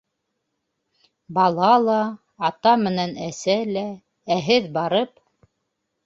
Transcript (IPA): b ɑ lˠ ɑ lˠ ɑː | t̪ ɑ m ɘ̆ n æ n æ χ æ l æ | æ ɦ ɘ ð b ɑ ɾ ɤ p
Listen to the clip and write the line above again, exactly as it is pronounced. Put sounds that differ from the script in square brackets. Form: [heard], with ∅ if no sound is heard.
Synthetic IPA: b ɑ lˠ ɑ lˠ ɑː | t̪ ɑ m ɘ̆ n æ n æ [s] æ l æ | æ ɦ ɘ ð b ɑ ɾ ɤ p